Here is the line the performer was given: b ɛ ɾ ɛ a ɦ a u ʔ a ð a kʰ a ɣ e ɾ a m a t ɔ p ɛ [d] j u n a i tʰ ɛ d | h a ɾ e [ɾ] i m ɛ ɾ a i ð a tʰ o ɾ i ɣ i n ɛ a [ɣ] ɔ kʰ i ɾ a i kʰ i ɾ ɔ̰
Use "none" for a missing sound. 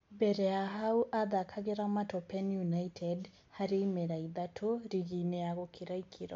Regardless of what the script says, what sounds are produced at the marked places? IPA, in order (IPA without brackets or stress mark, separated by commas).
n, none, ɣ